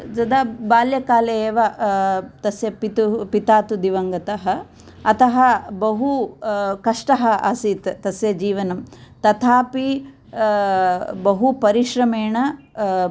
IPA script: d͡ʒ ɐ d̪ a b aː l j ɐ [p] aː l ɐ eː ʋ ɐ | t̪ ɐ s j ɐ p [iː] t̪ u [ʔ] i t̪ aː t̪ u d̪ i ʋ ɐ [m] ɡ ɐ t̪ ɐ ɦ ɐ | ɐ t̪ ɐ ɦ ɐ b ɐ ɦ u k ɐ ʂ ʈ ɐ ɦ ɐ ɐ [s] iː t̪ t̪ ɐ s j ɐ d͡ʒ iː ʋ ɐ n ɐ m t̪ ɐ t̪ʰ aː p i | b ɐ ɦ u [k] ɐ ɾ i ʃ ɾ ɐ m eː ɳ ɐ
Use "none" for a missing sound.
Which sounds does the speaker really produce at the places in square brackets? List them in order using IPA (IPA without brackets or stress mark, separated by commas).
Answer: k, i, p, ŋ, s, p